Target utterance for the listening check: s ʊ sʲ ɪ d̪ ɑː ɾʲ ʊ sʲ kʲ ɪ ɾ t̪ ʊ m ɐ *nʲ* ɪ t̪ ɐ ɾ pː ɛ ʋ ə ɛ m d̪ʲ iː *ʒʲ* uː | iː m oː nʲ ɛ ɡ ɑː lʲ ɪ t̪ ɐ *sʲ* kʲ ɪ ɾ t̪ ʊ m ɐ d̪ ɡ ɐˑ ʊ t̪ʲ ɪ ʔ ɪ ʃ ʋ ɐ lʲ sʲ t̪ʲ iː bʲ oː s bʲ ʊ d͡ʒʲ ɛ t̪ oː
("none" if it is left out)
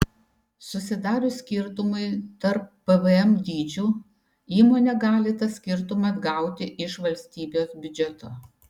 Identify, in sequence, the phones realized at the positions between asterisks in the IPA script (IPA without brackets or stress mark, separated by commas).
none, d͡ʒʲ, sʲ